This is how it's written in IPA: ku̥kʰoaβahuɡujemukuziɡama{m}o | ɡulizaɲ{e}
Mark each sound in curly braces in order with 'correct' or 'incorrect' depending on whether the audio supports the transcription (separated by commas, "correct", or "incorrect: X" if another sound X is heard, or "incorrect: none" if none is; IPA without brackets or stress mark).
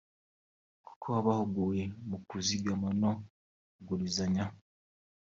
incorrect: n, incorrect: a